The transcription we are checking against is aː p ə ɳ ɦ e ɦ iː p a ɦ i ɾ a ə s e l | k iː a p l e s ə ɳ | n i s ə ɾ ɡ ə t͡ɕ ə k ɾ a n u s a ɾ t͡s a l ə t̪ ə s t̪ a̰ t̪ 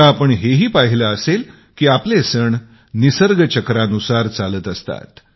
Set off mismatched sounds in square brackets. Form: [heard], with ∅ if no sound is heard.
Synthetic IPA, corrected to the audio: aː p ə ɳ ɦ e ɦ iː p a ɦ i [l] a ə s e l | k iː a p l e s ə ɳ | n i s ə ɾ ɡ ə t͡ɕ ə k ɾ a n u s a ɾ t͡s a l ə t̪ ə s t̪ a̰ t̪